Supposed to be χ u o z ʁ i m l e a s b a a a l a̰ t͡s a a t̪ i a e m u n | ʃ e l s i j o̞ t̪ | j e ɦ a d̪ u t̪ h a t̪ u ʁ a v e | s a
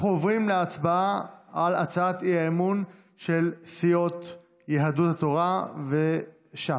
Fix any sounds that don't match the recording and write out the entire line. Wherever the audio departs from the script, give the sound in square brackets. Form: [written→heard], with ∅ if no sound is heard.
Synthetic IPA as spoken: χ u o [z→v] ʁ i m l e a [s→t͡s] b a a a l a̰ t͡s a a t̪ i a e m u n | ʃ e l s i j o̞ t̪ | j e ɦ a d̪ u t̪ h a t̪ [u→o] ʁ a v e | [s→ʃ] a